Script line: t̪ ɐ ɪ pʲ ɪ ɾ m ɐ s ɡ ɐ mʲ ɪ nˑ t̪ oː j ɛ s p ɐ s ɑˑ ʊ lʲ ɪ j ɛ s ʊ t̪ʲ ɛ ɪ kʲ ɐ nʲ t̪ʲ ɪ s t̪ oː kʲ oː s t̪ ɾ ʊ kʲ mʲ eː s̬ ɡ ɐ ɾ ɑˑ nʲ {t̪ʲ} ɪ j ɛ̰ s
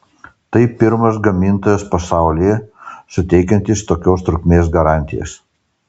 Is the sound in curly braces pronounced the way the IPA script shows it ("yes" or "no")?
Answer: yes